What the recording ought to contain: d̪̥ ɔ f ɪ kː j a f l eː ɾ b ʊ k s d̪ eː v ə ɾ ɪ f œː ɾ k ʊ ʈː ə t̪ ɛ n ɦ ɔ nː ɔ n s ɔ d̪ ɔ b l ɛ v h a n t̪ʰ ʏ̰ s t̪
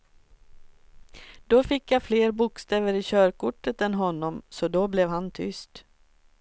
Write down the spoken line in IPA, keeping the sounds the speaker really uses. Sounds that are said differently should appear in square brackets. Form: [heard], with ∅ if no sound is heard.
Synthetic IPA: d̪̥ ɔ f ɪ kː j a f l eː ɾ b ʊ k s [t̪] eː v ə ɾ ɪ [ɕ] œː ɾ k ʊ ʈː ə t̪ ɛ n ɦ ɔ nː ɔ [m] s ɔ d̪ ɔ b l ɛ v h a n t̪ʰ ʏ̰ s t̪